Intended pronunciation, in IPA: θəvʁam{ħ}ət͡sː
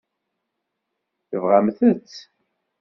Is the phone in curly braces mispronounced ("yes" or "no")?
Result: yes